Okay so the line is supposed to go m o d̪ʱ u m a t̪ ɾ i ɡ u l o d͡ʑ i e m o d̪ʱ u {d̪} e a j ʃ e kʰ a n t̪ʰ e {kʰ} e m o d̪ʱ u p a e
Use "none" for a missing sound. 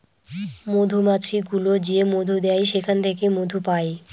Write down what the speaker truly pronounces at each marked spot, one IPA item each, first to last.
d̪, k

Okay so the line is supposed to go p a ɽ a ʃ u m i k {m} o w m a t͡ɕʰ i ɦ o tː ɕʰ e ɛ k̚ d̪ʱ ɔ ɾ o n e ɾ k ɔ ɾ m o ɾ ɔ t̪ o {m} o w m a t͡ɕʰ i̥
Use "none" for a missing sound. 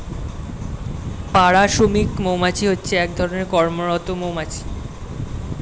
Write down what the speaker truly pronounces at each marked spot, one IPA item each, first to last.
m, m

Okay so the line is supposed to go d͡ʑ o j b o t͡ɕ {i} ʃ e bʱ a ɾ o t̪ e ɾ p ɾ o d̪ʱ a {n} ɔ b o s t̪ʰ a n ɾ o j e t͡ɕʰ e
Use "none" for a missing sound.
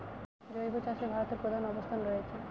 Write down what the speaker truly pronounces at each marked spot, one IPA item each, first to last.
a, n

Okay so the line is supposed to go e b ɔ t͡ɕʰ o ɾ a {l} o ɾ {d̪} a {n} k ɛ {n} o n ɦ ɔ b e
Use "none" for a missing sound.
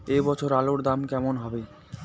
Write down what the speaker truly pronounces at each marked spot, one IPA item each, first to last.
l, d̪, m, m

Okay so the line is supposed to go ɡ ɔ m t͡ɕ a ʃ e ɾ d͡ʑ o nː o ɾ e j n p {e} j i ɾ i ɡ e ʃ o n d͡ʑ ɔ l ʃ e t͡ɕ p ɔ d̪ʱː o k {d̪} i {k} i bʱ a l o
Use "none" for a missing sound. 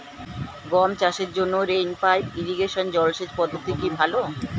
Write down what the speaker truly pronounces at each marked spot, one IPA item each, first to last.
a, t̪, k

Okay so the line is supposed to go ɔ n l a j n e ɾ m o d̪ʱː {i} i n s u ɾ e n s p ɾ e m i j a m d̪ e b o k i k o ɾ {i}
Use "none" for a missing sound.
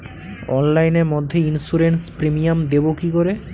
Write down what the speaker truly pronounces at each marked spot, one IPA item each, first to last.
e, e

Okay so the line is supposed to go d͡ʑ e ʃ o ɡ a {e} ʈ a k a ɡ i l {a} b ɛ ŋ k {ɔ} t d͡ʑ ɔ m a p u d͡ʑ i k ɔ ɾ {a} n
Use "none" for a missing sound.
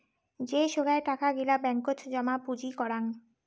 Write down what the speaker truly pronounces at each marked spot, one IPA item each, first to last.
e, a, o, a

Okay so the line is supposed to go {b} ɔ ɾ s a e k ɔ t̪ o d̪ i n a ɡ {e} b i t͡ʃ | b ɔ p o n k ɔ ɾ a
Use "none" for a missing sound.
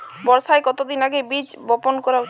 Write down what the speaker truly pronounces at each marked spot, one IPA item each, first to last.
b, e

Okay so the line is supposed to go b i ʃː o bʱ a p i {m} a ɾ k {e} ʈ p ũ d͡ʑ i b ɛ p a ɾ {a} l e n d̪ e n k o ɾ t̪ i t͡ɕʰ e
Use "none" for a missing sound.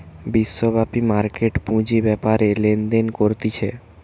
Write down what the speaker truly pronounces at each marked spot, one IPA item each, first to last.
m, e, e

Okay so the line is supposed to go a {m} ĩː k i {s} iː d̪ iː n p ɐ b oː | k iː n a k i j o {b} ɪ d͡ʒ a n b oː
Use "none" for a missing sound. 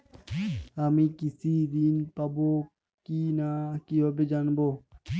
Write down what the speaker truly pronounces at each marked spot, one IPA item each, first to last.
m, s, b

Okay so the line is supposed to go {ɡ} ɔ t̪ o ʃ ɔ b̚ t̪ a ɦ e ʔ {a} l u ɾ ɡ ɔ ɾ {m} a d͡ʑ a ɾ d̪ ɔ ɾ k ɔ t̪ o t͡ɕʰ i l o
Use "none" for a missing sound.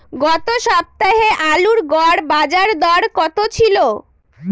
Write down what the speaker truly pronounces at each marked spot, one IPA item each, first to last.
ɡ, a, b

